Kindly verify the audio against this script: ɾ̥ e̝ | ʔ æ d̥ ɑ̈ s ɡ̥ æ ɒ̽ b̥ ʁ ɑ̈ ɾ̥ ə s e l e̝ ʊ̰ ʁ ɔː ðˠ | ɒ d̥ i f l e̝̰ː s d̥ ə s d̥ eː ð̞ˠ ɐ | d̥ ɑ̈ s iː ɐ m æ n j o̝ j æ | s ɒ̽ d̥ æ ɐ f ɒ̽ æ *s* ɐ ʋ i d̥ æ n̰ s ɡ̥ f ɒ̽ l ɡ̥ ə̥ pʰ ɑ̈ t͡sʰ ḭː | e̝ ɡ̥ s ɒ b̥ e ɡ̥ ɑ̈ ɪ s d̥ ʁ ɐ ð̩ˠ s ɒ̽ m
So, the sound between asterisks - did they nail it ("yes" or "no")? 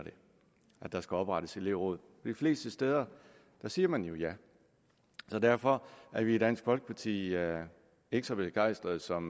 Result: no